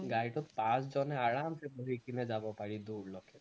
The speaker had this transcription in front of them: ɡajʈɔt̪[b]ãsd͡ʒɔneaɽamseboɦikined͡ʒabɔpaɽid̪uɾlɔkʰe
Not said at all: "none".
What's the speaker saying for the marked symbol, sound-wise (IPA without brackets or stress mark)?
p